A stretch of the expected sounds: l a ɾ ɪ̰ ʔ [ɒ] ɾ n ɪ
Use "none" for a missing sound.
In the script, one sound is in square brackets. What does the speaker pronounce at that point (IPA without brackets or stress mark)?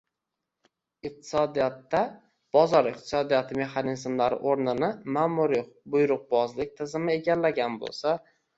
o